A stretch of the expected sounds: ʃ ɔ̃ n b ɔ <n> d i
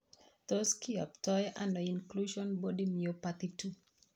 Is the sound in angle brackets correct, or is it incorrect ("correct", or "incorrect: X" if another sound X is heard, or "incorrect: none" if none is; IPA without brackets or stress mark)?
incorrect: none